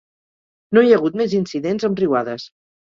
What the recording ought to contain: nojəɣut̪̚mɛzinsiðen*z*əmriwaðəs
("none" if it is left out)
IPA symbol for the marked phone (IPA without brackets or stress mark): z